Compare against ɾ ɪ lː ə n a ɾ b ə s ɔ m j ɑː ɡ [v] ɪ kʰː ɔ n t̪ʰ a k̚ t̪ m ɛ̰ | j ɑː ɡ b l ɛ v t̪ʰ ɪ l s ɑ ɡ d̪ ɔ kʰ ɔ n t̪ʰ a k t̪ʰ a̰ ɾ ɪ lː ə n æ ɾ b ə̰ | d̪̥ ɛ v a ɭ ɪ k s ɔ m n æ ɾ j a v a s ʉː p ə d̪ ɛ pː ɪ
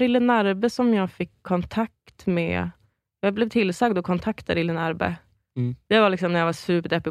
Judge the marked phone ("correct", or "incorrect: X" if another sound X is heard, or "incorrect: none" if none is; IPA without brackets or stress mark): incorrect: f